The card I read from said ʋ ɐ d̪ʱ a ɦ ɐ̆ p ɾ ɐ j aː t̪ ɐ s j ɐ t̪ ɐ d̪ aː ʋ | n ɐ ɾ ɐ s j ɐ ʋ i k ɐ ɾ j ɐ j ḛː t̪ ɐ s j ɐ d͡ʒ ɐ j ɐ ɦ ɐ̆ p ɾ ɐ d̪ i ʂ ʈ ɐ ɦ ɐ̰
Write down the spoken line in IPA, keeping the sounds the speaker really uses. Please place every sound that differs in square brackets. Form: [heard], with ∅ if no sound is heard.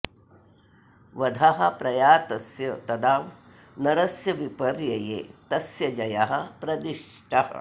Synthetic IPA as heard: ʋ ɐ d̪ʱ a ɦ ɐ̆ p ɾ ɐ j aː t̪ ɐ s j ɐ t̪ ɐ d̪ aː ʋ | n ɐ ɾ ɐ s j ɐ ʋ i [p] ɐ ɾ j ɐ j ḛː t̪ ɐ s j ɐ d͡ʒ ɐ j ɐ ɦ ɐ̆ p ɾ ɐ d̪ i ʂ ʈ ɐ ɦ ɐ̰